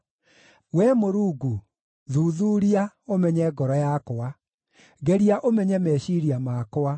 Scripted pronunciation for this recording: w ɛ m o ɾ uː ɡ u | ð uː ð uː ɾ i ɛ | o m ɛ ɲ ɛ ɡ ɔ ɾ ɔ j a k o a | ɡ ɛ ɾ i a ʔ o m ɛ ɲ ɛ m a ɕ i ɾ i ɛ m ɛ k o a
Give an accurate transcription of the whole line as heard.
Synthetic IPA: w ɛ m o ɾ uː ɡ u | ð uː ð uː ɾ i a | o m ɛ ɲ ɛ ɡ ɔ ɾ ɔ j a k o a | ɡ ɛ ɾ i a ʔ o m ɛ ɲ ɛ m ɛ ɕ i ɾ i a m a k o a